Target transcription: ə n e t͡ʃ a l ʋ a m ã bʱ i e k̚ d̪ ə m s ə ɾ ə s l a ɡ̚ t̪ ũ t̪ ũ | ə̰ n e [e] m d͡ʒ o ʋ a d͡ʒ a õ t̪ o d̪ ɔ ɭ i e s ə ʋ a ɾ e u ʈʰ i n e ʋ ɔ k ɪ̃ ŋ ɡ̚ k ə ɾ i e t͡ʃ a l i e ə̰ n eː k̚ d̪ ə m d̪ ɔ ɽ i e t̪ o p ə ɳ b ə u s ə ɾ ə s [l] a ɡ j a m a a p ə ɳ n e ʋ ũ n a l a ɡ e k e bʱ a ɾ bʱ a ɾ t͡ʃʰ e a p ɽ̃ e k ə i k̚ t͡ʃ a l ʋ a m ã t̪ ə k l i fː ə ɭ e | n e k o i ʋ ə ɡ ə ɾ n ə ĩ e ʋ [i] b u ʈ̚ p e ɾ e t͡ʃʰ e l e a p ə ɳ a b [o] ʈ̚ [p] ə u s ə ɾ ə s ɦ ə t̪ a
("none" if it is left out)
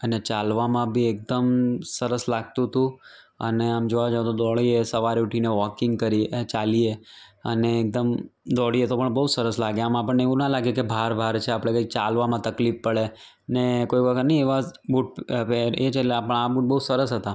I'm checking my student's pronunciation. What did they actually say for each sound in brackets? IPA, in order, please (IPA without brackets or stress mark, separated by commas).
a, l, a, u, b